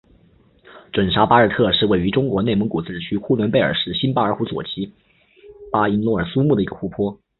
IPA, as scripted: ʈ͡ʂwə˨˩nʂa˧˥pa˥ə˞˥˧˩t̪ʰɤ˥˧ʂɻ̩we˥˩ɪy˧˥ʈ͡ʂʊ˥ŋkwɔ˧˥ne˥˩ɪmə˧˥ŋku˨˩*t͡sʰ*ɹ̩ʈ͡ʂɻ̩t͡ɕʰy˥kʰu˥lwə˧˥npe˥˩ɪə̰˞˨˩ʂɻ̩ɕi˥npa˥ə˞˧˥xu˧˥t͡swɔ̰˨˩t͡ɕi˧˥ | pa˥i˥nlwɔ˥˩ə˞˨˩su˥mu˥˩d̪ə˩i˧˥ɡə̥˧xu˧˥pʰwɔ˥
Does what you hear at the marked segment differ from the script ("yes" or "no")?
yes